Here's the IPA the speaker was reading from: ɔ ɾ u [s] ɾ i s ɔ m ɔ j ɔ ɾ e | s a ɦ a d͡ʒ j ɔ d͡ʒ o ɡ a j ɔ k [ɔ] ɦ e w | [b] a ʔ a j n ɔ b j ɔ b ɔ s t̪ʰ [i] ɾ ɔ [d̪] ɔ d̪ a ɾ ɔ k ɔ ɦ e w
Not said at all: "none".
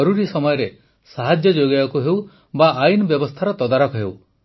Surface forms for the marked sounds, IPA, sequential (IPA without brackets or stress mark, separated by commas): none, u, b, a, t̪